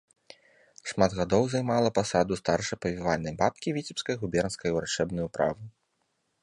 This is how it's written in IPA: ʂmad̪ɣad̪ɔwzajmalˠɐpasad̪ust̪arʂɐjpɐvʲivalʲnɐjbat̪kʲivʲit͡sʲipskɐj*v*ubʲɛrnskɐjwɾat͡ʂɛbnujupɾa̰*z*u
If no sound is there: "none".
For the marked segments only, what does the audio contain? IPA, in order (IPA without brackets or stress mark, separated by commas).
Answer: ɣ, v